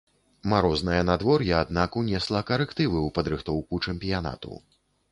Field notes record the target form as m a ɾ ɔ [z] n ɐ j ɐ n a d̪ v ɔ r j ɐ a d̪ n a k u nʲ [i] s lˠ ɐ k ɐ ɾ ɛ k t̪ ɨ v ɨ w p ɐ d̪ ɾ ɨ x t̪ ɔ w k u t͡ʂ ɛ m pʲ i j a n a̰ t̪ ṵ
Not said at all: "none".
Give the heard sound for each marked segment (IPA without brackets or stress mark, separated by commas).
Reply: z, ɛ